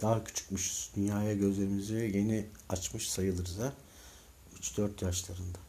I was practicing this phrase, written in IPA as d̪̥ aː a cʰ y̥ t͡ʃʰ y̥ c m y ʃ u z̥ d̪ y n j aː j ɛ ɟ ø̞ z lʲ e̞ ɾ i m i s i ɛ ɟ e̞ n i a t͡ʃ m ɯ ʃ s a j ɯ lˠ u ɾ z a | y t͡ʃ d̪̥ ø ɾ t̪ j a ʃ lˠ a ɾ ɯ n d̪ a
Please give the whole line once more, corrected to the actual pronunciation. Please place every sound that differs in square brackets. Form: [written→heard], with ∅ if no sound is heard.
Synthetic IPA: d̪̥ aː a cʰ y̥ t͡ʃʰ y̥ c m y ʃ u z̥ d̪ y n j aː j [ɛ→a] ɟ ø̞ z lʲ e̞ ɾ i m i [s→z] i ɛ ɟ e̞ n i a t͡ʃ m ɯ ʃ s a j ɯ lˠ [u→ɯ] ɾ z a | y t͡ʃ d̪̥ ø ɾ t̪ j a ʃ lˠ a ɾ ɯ n d̪ a